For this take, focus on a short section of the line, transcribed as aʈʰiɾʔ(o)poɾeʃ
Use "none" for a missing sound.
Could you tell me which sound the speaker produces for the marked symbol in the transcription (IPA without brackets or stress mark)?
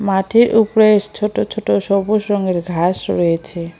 u